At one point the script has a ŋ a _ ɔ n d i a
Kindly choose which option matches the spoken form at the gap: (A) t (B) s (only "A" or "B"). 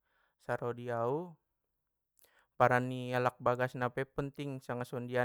B